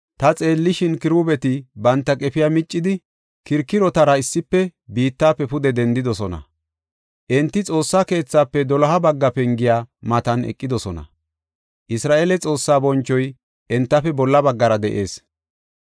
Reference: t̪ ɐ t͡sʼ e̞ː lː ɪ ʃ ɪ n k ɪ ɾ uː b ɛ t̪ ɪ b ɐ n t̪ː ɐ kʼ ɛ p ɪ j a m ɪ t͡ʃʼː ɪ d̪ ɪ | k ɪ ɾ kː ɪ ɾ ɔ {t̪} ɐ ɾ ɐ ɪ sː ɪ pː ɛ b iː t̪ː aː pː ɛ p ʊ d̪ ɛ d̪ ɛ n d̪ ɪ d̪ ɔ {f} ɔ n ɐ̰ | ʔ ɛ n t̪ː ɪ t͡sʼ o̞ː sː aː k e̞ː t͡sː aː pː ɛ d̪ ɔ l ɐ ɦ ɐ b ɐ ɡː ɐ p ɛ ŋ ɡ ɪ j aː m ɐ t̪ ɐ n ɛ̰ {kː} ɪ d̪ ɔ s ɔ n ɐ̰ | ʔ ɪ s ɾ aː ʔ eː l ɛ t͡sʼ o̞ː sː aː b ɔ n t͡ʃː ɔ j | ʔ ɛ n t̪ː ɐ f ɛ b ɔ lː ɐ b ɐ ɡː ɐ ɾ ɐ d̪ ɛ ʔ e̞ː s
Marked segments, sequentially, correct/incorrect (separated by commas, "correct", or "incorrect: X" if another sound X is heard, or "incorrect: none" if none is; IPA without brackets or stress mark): correct, incorrect: s, incorrect: kʼː